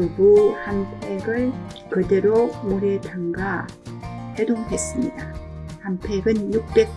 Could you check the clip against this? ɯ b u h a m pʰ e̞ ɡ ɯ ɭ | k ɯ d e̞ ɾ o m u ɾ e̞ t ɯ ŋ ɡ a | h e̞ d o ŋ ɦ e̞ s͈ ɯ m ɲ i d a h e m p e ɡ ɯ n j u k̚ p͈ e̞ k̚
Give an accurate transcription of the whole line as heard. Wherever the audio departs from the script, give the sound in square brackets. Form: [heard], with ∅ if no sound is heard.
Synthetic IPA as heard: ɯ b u h a m pʰ e̞ ɡ ɯ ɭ | k ɯ d e̞ ɾ o m u ɾ e̞ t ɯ ŋ ɡ a | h e̞ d o ŋ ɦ e̞ s͈ ɯ m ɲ i d a h [a] m [pʰ] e ɡ ɯ n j u k̚ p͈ e̞ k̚